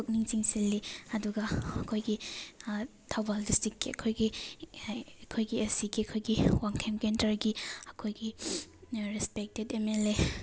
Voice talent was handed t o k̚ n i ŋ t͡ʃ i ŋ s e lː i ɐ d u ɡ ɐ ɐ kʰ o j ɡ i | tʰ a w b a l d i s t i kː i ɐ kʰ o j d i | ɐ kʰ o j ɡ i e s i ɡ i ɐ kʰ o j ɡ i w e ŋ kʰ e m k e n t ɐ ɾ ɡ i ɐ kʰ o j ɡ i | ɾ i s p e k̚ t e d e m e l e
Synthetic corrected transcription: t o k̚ n i ŋ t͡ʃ i ŋ s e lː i ɐ d u ɡ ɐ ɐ kʰ o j ɡ i | tʰ a w b a l d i s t i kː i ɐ kʰ o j ɡ i | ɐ kʰ o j ɡ i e s i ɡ i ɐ kʰ o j ɡ i w a ŋ kʰ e m k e n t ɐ ɾ ɡ i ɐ kʰ o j ɡ i | ɾ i s p e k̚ t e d e m e l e